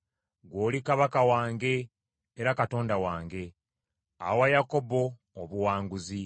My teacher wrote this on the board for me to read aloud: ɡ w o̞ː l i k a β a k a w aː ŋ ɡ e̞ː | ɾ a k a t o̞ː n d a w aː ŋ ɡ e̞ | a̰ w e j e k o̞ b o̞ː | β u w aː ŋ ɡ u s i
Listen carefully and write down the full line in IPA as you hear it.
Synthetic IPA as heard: ɡ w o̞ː l i k a β a k a w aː ŋ ɡ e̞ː | ɾ a k a t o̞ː n d a w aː ŋ ɡ e̞ | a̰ w a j a k o̞ b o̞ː | β u w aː ŋ ɡ u z i